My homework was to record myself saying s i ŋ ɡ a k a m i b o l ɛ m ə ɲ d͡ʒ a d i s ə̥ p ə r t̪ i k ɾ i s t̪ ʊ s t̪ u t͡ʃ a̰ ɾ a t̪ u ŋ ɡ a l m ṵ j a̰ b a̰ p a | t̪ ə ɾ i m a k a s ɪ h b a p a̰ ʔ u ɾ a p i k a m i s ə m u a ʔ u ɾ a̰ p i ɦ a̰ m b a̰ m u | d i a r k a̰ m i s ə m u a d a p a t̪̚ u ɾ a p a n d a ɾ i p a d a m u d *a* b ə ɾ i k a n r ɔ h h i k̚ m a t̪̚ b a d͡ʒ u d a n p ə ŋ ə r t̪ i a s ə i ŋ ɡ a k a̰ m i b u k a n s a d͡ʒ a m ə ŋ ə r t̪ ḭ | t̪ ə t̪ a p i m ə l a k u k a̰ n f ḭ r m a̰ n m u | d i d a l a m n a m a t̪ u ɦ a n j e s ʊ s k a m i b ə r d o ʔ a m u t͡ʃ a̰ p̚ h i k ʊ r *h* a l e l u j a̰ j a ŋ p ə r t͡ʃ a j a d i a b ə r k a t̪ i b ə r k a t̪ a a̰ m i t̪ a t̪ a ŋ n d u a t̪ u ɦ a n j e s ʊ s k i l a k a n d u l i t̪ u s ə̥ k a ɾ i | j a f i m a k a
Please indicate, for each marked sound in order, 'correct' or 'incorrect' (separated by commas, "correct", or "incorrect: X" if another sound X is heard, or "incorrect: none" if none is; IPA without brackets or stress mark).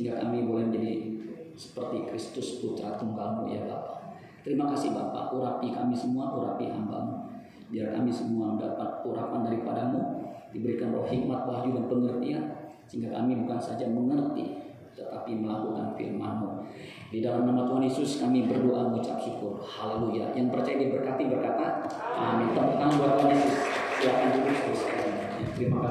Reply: incorrect: i, correct